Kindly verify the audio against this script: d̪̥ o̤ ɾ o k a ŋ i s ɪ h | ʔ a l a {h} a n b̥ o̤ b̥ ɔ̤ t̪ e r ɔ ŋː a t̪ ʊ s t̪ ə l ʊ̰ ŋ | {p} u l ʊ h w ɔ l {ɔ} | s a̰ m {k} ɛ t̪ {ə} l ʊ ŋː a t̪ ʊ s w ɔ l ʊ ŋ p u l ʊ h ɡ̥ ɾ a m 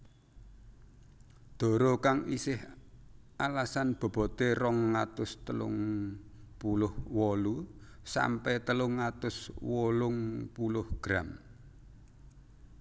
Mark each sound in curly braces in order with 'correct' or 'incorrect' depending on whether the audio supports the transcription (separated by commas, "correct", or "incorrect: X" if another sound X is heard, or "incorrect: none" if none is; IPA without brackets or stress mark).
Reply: incorrect: s, correct, incorrect: u, incorrect: p, correct